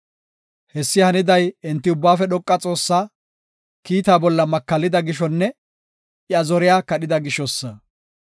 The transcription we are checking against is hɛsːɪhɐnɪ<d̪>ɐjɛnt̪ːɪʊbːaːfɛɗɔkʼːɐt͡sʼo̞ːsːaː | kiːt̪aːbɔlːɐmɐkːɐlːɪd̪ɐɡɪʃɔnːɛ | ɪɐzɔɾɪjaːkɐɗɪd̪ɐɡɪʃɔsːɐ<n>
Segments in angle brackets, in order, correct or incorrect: correct, incorrect: none

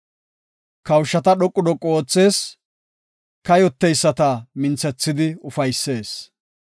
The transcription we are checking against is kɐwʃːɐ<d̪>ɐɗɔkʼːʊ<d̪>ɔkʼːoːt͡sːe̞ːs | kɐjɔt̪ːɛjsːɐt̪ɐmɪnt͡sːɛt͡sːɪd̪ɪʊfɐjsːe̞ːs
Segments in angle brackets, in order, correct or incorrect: incorrect: t̪, correct

